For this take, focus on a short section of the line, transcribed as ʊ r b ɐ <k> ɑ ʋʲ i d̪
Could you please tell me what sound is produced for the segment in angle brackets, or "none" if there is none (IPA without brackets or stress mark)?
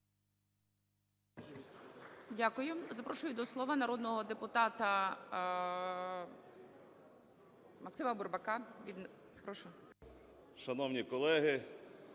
k